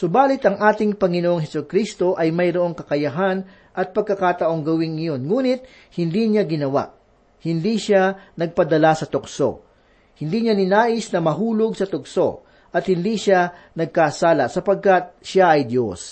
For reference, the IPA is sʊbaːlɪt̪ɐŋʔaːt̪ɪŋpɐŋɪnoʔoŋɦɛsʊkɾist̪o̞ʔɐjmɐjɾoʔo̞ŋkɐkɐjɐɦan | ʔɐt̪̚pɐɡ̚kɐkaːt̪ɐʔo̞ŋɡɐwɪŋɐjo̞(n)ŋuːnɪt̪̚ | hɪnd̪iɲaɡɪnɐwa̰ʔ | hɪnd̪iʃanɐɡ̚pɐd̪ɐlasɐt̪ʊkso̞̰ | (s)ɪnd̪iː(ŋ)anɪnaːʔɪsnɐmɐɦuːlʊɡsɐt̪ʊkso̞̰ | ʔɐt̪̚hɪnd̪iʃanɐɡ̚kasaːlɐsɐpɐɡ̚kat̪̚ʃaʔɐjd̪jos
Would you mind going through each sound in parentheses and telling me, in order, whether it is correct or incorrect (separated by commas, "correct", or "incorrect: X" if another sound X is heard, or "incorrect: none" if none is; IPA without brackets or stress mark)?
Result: correct, incorrect: h, incorrect: ɲ